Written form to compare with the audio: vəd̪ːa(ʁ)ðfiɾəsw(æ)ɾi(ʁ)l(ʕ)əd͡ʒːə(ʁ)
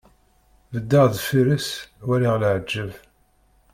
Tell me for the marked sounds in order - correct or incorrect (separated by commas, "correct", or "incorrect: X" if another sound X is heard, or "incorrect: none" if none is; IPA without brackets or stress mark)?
correct, correct, correct, correct, incorrect: v